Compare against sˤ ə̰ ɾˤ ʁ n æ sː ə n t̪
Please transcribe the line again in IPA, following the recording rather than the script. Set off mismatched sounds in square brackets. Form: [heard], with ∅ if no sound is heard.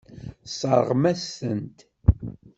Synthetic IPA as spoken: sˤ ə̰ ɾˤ ʁ [m] æ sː ə n t̪